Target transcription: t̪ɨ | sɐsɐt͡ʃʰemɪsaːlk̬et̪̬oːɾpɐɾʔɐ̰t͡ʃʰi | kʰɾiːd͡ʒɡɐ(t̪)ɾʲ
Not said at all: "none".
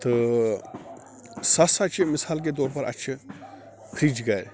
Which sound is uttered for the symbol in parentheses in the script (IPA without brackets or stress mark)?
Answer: none